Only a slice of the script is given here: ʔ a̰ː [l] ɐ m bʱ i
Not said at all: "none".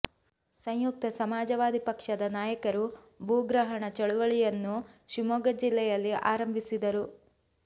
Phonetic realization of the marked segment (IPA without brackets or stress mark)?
ɾ